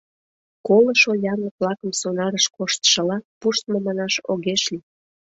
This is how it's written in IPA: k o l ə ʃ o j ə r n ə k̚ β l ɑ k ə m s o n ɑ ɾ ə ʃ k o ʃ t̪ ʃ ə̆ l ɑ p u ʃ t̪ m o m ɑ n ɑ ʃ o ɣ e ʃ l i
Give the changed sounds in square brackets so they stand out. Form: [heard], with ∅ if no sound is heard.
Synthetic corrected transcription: k o l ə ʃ o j [ɑ] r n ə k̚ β l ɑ k ə m s o n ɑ ɾ ə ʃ k o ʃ t̪ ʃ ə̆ l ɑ p u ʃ t̪ m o m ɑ n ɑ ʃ o ɣ e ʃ l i